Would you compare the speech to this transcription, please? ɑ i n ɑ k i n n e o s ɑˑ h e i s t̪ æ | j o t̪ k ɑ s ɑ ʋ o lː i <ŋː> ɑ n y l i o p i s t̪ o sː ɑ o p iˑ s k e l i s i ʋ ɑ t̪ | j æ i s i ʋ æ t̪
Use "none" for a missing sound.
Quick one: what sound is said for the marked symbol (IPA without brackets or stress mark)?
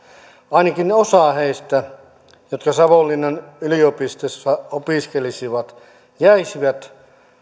nː